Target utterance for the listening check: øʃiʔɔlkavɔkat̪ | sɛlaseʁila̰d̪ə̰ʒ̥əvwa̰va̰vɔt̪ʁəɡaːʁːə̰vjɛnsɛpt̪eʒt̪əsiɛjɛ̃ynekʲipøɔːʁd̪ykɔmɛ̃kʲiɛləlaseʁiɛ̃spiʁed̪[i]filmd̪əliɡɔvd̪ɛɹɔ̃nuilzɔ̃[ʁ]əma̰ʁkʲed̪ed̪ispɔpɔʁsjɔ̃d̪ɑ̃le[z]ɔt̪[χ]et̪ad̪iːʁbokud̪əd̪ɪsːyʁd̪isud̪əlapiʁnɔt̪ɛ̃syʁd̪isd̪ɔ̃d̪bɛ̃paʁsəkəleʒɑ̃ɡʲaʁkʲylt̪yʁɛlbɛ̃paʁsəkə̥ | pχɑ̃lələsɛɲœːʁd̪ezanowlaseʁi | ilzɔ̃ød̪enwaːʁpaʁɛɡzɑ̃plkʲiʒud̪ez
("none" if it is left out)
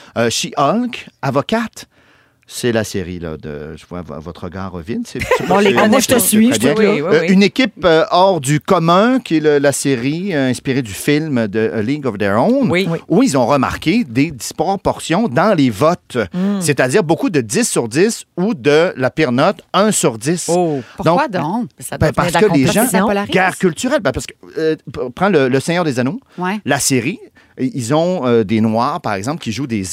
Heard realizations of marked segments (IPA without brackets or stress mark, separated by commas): y, ʁ, v, s